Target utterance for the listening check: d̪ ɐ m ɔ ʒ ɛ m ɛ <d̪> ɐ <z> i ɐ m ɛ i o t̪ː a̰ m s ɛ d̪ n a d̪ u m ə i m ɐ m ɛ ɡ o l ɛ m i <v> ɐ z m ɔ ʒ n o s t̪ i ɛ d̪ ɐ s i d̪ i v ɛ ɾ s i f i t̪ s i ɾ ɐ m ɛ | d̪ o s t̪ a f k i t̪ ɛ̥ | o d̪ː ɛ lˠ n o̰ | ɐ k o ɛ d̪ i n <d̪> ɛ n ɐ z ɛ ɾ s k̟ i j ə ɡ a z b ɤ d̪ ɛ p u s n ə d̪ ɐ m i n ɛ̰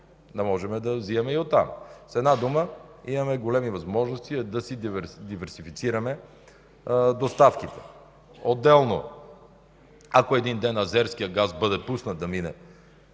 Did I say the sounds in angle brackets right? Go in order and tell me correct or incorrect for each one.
correct, correct, correct, correct

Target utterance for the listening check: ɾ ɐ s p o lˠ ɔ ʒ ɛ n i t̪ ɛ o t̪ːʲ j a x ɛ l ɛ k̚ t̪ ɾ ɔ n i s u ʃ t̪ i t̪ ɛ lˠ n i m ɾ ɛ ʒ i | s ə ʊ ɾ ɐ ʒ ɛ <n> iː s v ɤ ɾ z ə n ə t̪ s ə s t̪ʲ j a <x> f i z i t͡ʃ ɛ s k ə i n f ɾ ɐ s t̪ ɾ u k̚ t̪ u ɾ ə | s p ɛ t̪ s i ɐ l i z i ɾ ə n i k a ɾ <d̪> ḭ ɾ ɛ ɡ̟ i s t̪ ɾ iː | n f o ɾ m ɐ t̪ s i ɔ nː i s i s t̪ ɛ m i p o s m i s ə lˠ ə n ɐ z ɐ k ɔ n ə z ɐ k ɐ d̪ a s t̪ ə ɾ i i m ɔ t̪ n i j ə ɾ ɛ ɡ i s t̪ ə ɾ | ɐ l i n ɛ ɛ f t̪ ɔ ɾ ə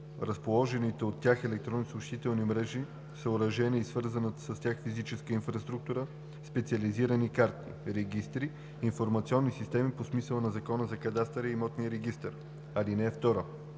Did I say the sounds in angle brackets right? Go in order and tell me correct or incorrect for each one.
correct, correct, incorrect

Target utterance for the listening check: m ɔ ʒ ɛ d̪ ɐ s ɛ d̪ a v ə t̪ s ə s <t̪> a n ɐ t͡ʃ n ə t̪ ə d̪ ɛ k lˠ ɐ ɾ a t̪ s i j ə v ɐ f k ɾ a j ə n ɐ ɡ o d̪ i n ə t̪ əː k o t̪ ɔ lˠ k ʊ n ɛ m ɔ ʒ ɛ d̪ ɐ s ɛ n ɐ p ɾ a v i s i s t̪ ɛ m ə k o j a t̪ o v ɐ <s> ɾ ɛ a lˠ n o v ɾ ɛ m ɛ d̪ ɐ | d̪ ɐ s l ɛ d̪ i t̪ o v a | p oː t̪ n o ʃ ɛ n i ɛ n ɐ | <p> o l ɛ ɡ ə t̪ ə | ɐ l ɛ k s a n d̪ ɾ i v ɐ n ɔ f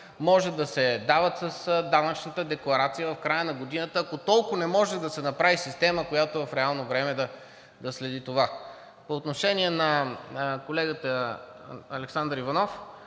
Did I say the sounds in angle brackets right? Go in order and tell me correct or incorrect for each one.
incorrect, incorrect, incorrect

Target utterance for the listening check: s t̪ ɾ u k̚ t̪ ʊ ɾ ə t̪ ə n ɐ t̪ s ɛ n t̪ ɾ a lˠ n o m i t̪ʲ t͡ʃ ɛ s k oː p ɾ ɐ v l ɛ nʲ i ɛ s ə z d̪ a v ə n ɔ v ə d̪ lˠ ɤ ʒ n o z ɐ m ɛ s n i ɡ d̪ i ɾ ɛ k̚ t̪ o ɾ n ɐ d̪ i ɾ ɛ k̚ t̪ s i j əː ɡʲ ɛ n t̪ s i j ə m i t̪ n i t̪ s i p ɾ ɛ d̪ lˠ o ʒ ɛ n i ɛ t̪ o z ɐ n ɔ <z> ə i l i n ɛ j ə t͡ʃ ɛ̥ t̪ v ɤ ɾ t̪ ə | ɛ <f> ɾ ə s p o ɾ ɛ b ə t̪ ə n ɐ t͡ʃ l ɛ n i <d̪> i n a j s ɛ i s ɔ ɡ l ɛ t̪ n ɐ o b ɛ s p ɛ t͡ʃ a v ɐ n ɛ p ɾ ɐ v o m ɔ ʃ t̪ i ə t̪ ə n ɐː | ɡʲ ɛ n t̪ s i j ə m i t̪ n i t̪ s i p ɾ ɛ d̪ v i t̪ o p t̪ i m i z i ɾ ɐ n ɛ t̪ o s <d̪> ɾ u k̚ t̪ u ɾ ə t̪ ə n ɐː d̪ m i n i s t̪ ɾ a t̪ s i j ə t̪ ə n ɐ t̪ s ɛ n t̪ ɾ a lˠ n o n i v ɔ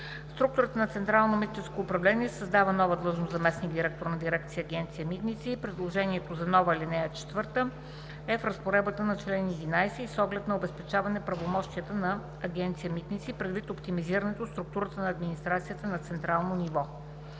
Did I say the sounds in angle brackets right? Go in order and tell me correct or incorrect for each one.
incorrect, correct, correct, incorrect

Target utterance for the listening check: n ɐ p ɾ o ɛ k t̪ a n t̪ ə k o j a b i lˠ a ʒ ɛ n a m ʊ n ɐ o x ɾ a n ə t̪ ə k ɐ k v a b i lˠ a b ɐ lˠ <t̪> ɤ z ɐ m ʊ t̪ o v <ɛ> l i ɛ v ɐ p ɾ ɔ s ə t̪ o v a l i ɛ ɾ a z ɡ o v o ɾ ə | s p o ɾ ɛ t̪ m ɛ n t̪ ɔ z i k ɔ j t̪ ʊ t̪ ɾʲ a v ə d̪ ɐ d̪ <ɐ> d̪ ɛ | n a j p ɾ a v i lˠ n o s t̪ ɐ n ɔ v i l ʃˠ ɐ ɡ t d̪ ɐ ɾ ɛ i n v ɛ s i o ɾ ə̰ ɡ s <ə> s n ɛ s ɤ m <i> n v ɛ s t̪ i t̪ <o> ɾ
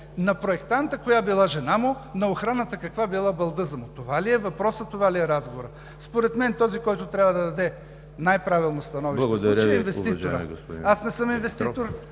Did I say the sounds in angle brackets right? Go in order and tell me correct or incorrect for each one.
incorrect, incorrect, correct, incorrect, correct, correct

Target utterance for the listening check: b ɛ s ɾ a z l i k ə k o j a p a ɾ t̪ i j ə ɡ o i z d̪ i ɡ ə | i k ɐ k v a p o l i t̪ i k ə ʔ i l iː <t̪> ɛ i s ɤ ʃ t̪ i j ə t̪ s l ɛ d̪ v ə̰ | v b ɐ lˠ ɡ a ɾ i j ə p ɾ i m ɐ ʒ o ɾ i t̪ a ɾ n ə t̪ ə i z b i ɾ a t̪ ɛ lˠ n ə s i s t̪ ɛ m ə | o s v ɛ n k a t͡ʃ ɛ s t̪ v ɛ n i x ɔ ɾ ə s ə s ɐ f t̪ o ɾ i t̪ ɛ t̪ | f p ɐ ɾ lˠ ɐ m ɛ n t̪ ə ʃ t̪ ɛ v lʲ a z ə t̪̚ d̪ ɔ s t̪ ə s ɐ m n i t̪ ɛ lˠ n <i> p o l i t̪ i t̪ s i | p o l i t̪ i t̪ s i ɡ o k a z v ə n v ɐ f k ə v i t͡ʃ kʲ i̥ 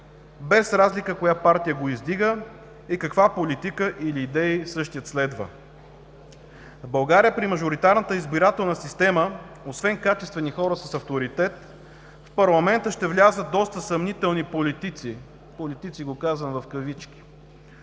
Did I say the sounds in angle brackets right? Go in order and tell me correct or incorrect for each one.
incorrect, correct

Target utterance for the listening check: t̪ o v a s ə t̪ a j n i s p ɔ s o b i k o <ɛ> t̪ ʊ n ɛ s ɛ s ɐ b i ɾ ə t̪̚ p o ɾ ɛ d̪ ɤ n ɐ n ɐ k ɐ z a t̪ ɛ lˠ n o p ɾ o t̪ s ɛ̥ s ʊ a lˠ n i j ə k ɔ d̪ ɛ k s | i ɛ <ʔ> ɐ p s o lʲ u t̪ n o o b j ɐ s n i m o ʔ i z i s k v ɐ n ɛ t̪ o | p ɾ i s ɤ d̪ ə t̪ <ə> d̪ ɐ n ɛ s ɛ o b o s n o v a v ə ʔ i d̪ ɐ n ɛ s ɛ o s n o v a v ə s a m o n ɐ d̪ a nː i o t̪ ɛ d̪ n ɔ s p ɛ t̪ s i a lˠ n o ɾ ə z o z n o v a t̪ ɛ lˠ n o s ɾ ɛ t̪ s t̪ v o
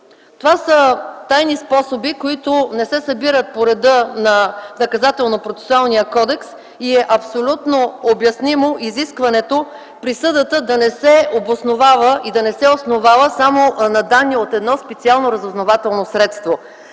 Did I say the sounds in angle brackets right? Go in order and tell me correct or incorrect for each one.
incorrect, correct, correct

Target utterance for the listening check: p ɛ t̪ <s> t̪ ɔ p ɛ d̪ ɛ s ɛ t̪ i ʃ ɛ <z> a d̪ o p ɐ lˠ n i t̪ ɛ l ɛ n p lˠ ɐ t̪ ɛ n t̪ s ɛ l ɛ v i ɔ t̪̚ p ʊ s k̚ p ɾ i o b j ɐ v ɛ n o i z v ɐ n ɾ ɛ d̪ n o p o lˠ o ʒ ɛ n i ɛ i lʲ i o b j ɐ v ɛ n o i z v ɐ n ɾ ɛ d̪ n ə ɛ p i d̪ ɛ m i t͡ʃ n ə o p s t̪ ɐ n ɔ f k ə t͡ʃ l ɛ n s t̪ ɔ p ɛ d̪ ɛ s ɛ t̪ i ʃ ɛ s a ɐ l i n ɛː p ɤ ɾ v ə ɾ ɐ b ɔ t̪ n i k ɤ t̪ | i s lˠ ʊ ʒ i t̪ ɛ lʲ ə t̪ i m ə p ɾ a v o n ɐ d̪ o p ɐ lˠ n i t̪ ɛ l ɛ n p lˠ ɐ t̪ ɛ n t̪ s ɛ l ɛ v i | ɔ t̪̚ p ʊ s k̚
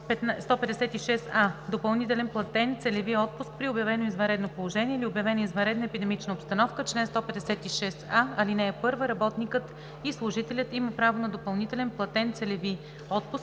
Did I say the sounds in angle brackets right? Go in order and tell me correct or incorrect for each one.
correct, incorrect

